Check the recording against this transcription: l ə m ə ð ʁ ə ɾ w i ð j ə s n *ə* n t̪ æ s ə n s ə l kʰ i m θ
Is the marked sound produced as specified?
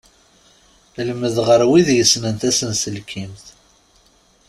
yes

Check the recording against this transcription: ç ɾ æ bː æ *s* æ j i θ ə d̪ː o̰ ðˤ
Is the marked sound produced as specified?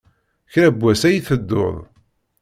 yes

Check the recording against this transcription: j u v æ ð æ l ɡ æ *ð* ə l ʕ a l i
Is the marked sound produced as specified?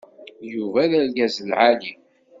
no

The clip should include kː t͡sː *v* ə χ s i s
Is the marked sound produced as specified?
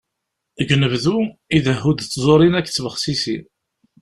yes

